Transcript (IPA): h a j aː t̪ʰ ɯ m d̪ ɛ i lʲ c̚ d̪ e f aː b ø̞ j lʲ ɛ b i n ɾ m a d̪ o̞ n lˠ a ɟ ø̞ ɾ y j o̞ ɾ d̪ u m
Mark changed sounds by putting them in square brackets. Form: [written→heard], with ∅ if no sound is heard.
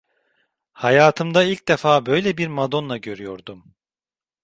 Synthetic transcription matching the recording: h a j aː t̪ʰ ɯ m d̪ [ɛ→a] i lʲ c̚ d̪ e f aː b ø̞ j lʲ ɛ b i [n→∅] ɾ m a d̪ o̞ n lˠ a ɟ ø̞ ɾ y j o̞ ɾ d̪ u m